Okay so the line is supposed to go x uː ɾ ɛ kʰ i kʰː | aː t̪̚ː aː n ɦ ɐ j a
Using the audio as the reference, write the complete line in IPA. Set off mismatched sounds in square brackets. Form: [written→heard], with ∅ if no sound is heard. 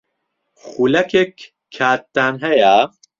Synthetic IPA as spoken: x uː [ɾ→l] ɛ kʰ [i→e] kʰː | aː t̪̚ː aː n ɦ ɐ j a